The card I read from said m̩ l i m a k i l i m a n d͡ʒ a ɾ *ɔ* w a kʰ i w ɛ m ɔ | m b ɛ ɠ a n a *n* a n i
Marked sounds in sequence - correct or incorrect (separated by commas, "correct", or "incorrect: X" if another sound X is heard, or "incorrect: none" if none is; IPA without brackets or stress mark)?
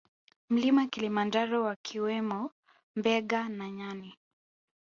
correct, incorrect: ɲ